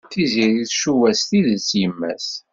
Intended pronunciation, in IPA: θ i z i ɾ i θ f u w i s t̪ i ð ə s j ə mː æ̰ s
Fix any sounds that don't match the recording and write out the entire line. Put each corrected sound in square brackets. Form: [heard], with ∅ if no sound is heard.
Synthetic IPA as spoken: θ i z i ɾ i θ [ʃ] u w [æ] s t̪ i ð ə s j ə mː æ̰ s